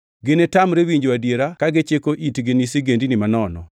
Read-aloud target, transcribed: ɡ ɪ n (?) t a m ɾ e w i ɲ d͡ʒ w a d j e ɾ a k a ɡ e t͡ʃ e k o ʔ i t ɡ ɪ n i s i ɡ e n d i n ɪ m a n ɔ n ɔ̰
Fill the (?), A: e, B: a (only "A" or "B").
A